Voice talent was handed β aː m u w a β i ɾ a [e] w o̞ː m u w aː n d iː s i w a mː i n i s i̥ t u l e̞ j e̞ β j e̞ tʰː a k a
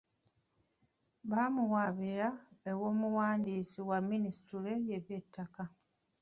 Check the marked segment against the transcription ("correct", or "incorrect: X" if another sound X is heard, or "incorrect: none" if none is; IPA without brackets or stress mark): correct